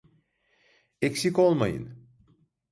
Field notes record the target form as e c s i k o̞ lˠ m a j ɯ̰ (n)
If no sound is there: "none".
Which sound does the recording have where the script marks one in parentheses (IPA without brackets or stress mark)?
n